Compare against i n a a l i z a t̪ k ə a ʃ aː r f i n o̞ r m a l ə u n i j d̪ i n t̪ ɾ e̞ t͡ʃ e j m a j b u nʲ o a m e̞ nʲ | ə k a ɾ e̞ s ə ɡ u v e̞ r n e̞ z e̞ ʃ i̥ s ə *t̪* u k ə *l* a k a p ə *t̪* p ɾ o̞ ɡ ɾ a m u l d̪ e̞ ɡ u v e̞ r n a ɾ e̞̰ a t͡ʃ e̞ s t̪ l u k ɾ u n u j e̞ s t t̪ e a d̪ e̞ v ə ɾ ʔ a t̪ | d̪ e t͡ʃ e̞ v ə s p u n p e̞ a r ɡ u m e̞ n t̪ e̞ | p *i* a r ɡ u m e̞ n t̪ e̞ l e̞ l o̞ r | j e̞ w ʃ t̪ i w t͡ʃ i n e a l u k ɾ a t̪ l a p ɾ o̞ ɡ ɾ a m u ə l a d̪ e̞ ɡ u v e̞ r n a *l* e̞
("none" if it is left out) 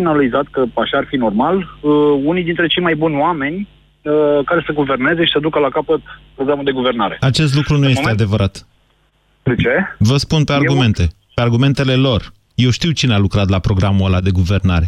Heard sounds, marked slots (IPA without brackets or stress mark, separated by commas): d̪, l, t̪, e, ɾ